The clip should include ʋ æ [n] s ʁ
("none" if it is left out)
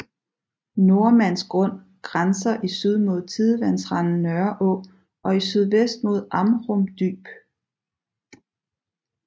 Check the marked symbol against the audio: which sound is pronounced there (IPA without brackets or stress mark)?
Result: n